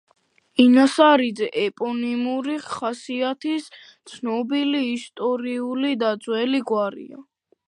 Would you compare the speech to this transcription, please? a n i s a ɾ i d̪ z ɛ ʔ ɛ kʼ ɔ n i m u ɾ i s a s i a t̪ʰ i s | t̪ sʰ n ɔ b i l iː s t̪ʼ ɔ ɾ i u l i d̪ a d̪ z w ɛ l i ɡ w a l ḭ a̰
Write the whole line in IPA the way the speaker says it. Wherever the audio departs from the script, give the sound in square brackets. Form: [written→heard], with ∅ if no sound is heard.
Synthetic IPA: [a→i] n [i→a] s a ɾ i d̪ z ɛ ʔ ɛ [kʼ→pʼ] ɔ n i m u ɾ i [s→χ] a s i a t̪ʰ i s | t̪ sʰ n ɔ b i l iː s t̪ʼ ɔ ɾ i u l i d̪ a d̪ z w ɛ l i ɡ w a [l→ɾ] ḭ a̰